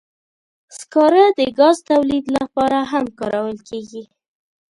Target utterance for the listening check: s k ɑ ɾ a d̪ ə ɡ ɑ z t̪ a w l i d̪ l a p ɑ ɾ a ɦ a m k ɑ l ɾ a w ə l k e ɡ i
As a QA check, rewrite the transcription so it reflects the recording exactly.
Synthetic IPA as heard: s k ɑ ɾ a d̪ ə ɡ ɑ z t̪ a w l i d̪ l a p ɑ ɾ a ɦ a m k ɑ ɾ a w ə l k e ɡ i